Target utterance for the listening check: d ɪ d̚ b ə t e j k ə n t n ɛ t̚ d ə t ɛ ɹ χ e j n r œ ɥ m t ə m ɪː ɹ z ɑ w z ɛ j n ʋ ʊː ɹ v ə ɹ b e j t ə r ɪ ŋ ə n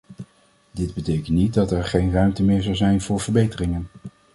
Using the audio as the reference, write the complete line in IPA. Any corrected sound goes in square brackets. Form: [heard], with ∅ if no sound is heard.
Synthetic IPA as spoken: d ɪ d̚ b ə t e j k ə n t n [i] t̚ d [ɑ] t ɛ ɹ χ e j n r œ ɥ m t ə m ɪː ɹ z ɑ w z ɛ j n [v] ʊː ɹ v ə ɹ b e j t ə r ɪ ŋ ə n